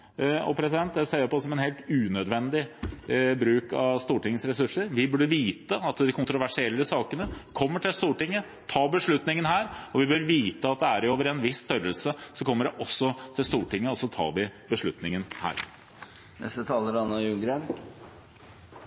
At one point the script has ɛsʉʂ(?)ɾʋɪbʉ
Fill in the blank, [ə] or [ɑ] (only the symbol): ə